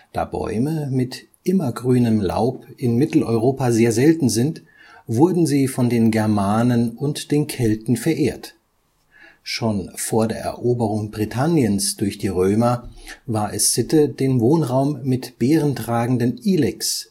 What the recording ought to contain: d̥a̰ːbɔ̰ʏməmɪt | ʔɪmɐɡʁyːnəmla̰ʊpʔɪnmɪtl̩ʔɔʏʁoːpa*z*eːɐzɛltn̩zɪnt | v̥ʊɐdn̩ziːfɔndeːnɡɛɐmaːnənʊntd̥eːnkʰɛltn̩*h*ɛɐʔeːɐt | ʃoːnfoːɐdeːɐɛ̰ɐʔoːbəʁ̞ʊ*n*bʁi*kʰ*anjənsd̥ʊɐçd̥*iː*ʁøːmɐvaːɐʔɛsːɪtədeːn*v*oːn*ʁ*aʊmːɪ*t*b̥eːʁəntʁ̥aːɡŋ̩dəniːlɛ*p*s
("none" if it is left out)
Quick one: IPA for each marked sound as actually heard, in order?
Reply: z, f, ŋ, tʰ, iː, v, ʁ, t, k

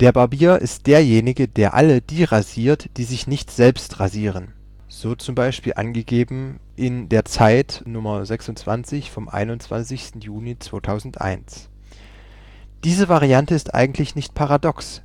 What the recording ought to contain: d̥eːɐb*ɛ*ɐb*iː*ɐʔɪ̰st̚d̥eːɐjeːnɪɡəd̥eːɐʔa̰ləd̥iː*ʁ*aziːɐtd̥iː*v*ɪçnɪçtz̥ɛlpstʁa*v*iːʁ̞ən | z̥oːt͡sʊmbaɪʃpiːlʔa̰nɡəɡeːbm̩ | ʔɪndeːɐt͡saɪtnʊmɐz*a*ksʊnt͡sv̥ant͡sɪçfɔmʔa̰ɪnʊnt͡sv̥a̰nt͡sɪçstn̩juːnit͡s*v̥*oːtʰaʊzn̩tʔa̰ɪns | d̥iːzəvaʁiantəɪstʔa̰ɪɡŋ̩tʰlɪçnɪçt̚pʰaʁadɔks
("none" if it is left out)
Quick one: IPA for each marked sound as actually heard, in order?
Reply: a, iː, ʁ, z, z, ɛ, v̥

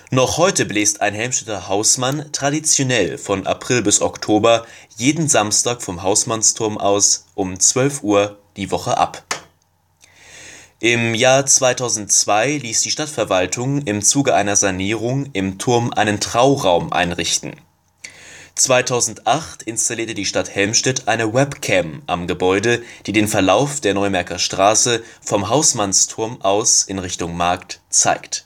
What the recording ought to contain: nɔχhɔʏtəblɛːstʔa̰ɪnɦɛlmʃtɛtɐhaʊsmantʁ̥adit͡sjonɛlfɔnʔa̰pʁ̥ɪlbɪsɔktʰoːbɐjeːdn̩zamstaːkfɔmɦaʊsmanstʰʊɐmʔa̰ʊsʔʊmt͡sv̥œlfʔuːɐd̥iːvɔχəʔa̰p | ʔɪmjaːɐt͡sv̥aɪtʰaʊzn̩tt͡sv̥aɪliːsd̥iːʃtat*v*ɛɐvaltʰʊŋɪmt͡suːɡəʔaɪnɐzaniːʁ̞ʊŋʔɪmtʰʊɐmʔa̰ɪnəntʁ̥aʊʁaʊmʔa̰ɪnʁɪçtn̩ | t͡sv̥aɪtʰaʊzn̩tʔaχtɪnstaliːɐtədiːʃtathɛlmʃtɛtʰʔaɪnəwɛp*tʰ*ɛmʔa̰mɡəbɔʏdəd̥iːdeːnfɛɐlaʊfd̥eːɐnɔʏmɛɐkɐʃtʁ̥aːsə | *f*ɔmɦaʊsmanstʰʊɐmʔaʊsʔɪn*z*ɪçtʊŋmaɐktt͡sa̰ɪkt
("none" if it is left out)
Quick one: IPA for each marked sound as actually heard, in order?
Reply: f, kʰ, f, ʁ

